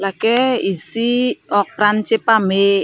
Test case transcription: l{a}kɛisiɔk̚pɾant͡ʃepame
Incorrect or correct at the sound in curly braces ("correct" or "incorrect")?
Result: correct